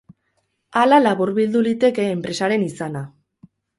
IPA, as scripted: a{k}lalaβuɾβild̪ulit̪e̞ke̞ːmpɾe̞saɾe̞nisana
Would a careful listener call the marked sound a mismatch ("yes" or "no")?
yes